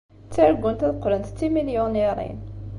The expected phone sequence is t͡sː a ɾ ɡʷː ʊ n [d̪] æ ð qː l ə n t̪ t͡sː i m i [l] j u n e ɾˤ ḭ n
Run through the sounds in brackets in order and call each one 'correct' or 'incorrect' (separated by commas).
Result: incorrect, correct